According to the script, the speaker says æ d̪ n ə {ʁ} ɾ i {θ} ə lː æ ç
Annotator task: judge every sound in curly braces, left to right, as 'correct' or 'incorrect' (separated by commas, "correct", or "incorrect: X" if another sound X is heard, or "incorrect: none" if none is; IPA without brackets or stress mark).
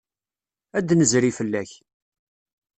incorrect: z, incorrect: f